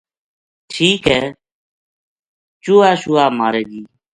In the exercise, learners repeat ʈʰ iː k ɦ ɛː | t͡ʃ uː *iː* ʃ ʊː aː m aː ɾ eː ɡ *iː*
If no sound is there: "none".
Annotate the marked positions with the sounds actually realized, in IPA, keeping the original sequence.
aː, iː

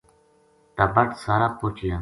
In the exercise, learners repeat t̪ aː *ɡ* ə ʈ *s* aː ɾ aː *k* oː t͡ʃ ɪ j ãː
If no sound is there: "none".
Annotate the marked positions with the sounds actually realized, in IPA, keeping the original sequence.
b, s, p

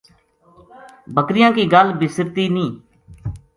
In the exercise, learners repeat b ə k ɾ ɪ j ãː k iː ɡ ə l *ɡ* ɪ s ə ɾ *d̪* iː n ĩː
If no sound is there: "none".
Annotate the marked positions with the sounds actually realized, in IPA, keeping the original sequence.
b, t̪

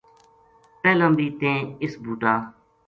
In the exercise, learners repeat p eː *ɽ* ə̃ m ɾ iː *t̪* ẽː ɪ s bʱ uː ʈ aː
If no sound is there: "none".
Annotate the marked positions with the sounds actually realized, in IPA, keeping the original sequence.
l, t̪

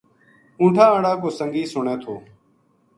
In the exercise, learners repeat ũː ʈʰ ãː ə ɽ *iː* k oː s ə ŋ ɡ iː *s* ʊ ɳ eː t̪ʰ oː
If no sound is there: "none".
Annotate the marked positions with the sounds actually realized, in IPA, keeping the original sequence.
aː, s

